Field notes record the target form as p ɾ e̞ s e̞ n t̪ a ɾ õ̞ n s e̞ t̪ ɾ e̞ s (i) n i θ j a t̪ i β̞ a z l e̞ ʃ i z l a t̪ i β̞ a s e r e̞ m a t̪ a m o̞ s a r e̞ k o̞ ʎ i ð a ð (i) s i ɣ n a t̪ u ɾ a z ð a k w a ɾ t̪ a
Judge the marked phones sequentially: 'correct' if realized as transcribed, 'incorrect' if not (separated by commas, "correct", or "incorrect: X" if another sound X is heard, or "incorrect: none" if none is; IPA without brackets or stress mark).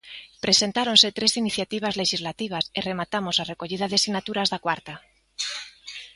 correct, incorrect: e